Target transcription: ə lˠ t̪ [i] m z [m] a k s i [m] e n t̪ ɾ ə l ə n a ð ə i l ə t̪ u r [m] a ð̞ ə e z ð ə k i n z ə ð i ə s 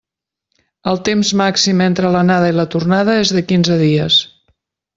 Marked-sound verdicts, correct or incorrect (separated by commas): incorrect, correct, correct, incorrect